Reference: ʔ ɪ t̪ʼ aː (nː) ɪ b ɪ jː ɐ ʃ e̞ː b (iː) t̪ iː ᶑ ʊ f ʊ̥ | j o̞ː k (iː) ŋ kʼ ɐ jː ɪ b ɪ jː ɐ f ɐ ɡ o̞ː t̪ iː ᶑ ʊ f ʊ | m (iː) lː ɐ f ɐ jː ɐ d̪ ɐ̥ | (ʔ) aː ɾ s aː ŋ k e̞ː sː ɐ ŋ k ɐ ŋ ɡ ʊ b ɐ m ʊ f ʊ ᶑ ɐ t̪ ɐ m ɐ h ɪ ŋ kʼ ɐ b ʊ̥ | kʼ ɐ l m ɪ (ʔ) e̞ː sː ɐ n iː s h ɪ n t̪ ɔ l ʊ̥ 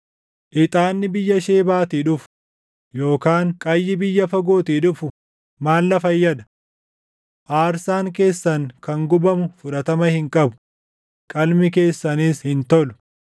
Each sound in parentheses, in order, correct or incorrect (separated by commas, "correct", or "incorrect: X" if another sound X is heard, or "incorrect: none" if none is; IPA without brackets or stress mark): correct, incorrect: aː, incorrect: aː, incorrect: aː, correct, incorrect: k